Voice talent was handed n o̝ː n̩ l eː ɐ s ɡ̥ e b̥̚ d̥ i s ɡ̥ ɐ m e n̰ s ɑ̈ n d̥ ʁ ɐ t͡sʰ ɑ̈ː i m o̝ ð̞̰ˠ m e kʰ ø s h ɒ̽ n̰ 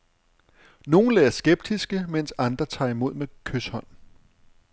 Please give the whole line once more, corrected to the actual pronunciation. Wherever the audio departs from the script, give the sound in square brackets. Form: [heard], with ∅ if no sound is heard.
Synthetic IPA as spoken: n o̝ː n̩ l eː ɐ s ɡ̥ e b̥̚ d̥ i s ɡ̥ [ə] m e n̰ s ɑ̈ n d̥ ʁ ɐ t͡sʰ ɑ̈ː i m o̝ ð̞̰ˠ m e kʰ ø s h ɒ̽ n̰